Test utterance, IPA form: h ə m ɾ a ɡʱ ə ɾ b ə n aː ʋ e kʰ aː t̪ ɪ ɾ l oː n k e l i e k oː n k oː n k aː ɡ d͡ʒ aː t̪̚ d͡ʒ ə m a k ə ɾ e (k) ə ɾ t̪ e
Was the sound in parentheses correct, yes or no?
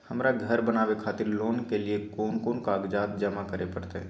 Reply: no